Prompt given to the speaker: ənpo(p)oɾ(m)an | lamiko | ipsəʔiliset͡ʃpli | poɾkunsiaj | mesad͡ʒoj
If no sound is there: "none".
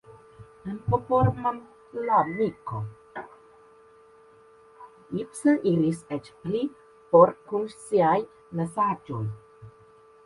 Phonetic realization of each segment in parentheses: p, m

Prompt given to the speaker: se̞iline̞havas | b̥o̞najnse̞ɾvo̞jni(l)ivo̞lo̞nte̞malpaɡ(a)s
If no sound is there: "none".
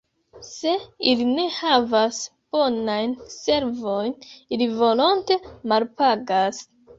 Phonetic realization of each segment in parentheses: l, a

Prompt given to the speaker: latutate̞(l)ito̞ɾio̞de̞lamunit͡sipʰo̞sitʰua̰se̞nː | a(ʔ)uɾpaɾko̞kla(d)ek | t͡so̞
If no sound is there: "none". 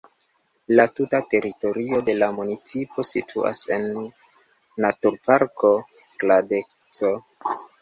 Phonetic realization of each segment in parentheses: ɾ, t, d

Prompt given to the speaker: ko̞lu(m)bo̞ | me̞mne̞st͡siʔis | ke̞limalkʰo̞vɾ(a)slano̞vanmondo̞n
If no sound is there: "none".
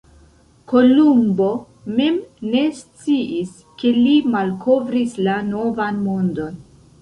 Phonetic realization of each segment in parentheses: m, i

